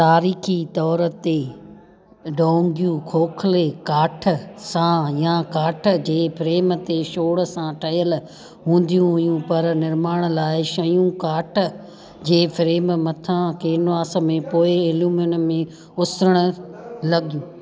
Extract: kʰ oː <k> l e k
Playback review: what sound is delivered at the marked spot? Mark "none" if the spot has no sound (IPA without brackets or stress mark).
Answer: kʰ